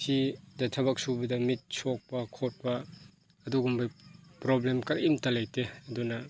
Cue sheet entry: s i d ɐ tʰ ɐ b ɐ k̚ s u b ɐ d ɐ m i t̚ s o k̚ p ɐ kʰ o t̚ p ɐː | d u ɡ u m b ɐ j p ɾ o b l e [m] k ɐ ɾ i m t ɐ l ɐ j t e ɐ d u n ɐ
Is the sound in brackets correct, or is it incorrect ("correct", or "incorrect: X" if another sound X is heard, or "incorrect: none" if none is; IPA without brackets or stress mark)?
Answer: correct